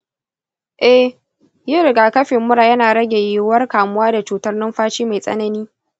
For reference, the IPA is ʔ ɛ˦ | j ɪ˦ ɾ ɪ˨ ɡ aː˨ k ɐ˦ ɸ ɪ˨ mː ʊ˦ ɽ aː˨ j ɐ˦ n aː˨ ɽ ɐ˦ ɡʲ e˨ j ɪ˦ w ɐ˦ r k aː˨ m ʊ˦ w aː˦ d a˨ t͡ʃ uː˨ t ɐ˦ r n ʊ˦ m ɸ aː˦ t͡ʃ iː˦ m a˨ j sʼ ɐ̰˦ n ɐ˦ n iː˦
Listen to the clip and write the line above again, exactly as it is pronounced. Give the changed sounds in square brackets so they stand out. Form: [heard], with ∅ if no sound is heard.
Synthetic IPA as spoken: ʔ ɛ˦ | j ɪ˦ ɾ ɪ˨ ɡ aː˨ k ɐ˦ ɸ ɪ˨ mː ʊ˦ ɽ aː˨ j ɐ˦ n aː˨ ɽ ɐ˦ ɡʲ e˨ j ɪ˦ w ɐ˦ r k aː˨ m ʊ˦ w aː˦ d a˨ t͡ʃ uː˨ t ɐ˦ r n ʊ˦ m ɸ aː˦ t͡ʃ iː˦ m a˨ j sʼ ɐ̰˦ n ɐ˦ n iː˦